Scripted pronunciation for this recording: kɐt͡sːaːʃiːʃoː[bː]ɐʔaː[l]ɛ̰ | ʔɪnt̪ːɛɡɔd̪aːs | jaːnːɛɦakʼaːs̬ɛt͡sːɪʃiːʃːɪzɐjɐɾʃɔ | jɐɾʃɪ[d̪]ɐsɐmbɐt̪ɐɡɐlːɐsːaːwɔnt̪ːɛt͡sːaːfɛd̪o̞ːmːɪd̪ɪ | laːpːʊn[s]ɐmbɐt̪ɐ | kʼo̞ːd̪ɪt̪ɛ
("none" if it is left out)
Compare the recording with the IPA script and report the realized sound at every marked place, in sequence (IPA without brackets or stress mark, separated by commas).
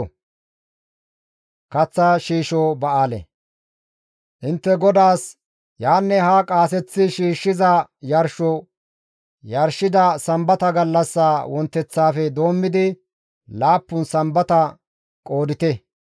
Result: b, l, d̪, s